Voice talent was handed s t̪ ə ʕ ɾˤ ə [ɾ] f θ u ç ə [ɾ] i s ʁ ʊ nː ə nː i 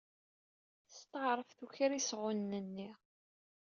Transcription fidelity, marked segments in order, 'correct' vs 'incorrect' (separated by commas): incorrect, correct